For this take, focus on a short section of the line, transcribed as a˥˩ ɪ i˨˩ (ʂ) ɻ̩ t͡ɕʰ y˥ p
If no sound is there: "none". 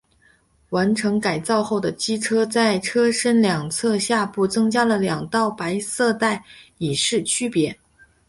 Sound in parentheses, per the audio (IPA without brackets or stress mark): ʂ